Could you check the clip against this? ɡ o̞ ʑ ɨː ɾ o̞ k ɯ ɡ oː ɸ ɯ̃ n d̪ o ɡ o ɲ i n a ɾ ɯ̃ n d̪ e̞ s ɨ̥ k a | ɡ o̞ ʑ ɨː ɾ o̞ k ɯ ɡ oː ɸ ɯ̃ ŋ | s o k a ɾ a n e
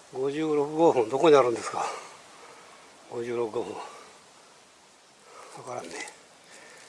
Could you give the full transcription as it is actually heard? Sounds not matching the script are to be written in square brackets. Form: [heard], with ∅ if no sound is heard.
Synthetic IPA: ɡ o̞ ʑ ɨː ɾ o̞ k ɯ ɡ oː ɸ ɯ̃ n d̪ o [k] o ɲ i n a ɾ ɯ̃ n d̪ e̞ s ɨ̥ k a | ɡ o̞ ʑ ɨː ɾ o̞ k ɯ ɡ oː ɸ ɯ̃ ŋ | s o k a ɾ a n e

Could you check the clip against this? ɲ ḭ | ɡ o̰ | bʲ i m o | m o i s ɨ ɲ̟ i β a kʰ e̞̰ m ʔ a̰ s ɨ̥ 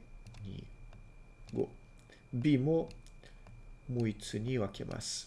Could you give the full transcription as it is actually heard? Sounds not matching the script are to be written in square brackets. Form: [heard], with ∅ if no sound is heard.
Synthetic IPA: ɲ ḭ | ɡ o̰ | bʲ i m o | m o i [t͡s] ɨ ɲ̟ i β a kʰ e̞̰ m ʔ a̰ s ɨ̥

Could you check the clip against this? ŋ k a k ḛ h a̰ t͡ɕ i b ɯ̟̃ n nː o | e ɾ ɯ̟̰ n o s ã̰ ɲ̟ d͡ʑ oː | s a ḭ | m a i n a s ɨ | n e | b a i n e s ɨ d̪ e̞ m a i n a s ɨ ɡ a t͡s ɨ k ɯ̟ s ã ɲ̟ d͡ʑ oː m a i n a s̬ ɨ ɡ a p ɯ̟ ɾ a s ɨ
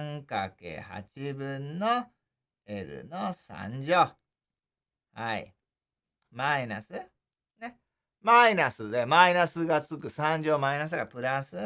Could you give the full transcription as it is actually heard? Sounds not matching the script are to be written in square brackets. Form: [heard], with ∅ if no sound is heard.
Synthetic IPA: ŋ k a k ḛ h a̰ t͡ɕ i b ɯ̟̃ n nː o | e ɾ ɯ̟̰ n o s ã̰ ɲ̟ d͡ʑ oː | [h] a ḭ | m a i n a s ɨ | n e | [m] a i n [a] s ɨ d̪ e̞ m a i n a s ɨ ɡ a t͡s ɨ k ɯ̟ s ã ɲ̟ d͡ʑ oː m a i n a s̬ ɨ ɡ a p ɯ̟ ɾ a s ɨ

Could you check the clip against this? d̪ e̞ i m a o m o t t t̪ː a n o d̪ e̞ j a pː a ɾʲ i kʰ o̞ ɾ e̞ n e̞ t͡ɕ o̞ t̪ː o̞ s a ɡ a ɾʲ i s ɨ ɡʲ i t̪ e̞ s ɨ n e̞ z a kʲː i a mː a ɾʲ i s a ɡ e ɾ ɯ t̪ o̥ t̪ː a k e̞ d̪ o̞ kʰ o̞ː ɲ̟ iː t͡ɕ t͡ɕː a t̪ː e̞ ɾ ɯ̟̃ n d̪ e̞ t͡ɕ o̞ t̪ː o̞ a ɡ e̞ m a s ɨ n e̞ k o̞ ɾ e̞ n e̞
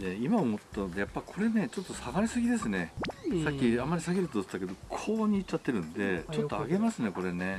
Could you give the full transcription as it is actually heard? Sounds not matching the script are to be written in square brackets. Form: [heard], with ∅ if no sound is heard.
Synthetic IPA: d̪ e̞ i m a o m o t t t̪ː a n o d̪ e̞ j a pː a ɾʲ i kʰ o̞ ɾ e̞ n e̞ t͡ɕ o̞ t̪ː o̞ s a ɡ a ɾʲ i s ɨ ɡʲ i [d̪] e̞ s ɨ n e̞ [s] a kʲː i a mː a ɾʲ i s a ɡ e ɾ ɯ t̪ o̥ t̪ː a k e̞ d̪ o̞ kʰ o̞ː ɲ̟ iː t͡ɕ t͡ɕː a t̪ː e̞ ɾ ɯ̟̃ n d̪ e̞ t͡ɕ o̞ t̪ː o̞ a ɡ e̞ m a s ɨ n e̞ k o̞ ɾ e̞ n e̞

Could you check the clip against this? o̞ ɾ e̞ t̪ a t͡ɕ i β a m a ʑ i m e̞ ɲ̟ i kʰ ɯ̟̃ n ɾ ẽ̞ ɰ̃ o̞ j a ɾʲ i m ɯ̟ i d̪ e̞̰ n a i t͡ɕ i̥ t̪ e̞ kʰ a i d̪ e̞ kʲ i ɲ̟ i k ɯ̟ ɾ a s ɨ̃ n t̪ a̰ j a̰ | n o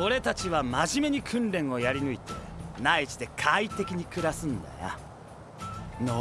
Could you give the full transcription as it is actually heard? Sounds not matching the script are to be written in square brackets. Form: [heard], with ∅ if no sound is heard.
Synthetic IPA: o̞ ɾ e̞ t̪ a t͡ɕ i β a m a ʑ i m e̞ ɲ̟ i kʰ ɯ̟̃ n ɾ ẽ̞ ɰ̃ o̞ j a ɾʲ i [n] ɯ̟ i [t̪] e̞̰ n a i t͡ɕ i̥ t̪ e̞ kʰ a i [t̪] e̞ kʲ i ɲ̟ i k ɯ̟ ɾ a s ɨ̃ n [d̪] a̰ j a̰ | n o

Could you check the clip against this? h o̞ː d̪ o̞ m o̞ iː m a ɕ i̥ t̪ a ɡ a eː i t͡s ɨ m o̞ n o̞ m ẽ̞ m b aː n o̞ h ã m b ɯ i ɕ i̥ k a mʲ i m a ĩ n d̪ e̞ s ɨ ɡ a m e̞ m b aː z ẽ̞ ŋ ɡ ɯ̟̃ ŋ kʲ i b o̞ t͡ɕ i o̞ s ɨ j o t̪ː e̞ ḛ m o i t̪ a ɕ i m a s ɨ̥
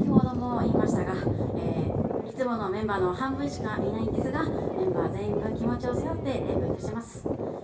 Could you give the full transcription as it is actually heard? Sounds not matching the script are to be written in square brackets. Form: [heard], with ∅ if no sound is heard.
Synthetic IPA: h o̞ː d̪ o̞ m o̞ iː m a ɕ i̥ t̪ a ɡ a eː i t͡s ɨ m o̞ n o̞ m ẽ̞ m b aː n o̞ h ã m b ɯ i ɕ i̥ k a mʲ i [n] a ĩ n d̪ e̞ s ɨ ɡ a m [ẽ̞] m b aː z ẽ̞ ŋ ɡ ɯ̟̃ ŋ kʲ i [m] o̞ t͡ɕ i o̞ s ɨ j o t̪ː e̞ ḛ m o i t̪ a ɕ i m a s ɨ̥

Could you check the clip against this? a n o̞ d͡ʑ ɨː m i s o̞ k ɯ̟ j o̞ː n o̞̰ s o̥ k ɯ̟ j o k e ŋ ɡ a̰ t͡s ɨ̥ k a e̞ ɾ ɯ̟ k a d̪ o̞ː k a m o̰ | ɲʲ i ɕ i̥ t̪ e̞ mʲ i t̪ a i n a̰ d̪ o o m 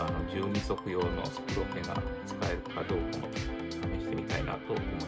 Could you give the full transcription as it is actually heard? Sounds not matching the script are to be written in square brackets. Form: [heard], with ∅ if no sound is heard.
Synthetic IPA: a n o̞ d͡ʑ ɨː [ɲ] i s o̞ k ɯ̟ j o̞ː n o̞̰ s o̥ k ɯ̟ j o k e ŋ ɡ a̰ t͡s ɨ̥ k a e̞ ɾ ɯ̟ k a d̪ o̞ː k a m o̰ | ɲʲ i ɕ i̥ t̪ e̞ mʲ i t̪ a i n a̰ [t̪] o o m

